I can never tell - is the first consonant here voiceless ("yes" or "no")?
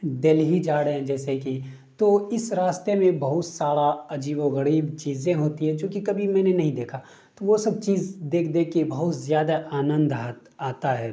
no